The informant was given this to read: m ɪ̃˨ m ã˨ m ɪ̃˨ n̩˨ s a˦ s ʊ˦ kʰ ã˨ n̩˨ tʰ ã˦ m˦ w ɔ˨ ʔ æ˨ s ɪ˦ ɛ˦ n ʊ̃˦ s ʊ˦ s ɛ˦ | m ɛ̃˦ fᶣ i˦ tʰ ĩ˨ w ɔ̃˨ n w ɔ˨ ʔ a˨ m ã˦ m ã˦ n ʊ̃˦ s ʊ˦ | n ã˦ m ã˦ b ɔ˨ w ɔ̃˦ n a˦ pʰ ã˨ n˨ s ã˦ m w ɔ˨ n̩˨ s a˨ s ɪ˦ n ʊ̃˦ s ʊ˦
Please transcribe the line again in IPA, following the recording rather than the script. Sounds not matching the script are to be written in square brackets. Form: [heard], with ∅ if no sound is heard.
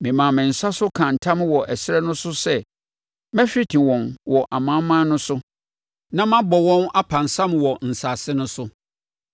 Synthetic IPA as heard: m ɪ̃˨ m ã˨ m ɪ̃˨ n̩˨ s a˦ s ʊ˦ kʰ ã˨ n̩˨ tʰ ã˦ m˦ w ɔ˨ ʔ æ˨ s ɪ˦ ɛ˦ n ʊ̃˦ s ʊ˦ s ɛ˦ | m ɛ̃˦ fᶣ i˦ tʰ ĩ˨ w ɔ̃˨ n w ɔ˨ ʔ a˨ m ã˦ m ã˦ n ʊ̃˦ s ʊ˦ | n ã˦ m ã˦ b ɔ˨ w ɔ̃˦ n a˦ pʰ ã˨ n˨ s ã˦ m w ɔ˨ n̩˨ s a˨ s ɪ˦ n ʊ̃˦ s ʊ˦